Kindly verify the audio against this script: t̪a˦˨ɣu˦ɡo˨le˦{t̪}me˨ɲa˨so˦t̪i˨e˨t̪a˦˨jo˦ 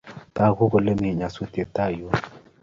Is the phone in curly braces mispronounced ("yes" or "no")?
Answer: yes